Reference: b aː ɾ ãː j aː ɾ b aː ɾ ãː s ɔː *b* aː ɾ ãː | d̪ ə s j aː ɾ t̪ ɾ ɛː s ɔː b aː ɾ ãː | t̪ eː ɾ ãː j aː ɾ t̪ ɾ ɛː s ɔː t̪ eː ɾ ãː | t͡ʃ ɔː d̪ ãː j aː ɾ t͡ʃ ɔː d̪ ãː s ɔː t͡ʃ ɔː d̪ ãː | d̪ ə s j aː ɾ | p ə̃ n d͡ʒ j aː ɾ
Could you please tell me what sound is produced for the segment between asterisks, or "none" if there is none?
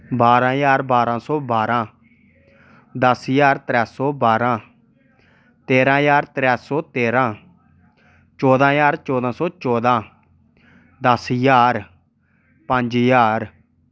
b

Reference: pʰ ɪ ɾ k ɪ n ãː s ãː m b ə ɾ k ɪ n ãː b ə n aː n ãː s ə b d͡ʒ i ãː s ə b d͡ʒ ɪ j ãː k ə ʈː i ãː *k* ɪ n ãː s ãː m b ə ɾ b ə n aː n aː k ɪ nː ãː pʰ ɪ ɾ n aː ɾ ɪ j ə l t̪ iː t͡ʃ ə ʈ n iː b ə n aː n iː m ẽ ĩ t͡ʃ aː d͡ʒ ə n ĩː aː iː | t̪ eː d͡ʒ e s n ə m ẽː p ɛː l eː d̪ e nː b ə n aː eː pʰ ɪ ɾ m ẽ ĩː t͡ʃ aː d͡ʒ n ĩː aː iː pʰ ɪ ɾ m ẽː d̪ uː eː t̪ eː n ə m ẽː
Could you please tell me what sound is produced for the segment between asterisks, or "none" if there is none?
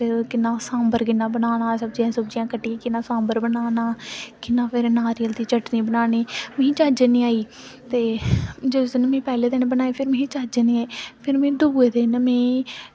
k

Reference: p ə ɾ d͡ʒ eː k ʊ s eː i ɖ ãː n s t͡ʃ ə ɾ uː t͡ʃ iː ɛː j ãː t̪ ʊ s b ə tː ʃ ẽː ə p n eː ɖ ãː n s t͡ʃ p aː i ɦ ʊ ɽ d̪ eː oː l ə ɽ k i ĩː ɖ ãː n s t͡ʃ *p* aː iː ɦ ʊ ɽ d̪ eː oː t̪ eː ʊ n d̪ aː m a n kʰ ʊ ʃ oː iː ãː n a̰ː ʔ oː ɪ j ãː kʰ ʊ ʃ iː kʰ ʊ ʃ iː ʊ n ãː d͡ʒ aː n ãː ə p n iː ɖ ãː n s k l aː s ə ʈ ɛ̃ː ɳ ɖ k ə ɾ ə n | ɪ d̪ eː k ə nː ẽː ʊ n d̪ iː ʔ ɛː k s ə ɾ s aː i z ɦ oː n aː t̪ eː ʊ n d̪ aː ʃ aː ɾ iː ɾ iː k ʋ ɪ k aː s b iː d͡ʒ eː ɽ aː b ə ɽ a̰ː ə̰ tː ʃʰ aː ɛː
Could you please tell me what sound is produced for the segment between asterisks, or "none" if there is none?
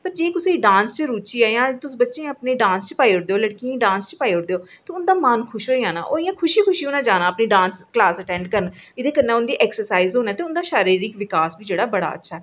p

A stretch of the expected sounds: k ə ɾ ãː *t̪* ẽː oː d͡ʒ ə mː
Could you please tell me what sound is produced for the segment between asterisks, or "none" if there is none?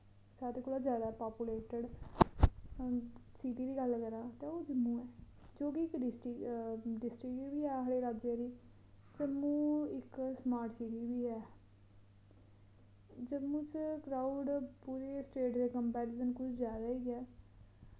t̪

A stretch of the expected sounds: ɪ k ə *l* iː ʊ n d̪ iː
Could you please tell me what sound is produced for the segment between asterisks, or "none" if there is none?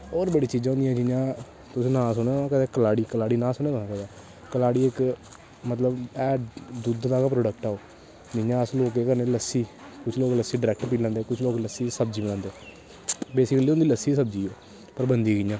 l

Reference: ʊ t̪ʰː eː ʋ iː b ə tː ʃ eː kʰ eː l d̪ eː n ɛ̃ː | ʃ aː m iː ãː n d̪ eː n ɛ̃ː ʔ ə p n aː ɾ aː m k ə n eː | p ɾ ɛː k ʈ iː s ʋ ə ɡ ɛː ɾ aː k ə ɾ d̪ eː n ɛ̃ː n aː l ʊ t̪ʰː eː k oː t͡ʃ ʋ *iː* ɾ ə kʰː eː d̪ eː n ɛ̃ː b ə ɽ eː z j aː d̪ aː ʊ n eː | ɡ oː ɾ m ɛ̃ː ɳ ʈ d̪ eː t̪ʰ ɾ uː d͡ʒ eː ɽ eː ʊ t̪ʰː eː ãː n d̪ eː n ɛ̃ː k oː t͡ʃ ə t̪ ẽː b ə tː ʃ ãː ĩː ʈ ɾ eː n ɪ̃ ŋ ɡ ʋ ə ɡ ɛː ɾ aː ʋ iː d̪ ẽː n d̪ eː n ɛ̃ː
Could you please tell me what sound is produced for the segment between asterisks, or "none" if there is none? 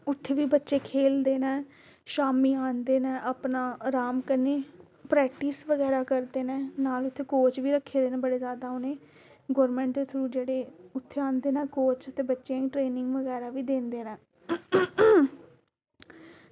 iː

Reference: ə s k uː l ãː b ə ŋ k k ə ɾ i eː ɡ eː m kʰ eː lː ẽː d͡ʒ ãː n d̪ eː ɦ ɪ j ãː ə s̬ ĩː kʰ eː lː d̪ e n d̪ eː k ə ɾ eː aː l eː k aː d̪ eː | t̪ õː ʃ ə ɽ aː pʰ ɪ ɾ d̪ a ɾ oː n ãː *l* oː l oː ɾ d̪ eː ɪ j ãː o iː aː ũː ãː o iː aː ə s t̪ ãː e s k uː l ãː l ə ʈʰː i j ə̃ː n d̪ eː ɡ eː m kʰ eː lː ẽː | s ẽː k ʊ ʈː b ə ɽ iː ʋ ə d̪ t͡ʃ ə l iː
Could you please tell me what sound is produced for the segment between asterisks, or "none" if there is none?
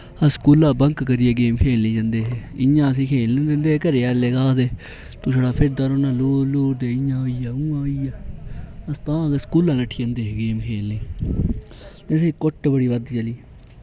l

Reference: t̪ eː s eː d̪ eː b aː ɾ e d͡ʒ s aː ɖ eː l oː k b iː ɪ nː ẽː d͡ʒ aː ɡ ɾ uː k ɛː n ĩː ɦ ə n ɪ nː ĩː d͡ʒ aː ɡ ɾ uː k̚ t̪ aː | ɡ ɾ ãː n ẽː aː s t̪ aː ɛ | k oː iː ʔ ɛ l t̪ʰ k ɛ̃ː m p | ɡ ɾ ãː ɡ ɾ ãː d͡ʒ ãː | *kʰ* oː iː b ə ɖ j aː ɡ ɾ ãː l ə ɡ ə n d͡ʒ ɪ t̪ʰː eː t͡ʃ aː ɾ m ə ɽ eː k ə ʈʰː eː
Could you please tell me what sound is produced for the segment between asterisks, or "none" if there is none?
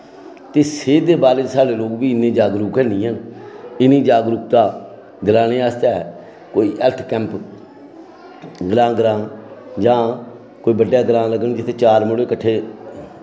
k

